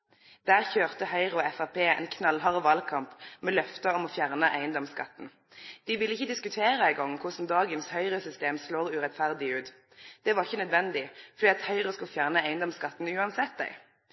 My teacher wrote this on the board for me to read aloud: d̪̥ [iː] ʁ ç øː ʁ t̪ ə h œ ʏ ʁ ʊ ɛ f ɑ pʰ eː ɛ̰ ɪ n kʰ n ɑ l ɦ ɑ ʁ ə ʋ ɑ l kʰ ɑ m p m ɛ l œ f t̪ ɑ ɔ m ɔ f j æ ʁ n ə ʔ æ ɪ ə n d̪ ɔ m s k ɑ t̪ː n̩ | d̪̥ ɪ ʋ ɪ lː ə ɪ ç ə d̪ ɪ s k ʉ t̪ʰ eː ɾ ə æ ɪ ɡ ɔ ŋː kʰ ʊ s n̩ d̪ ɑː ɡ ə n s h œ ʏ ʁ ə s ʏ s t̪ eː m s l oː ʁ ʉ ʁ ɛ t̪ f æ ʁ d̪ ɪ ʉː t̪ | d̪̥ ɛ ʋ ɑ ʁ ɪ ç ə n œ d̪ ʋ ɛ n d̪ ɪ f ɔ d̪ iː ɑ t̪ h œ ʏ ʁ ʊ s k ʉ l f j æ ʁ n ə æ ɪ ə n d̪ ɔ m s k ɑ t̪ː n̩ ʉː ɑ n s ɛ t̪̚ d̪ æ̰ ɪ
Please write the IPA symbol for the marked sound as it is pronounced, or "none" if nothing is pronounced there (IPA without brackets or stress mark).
æː